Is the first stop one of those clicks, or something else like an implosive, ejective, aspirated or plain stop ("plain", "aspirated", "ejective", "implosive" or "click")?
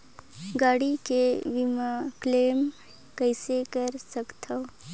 plain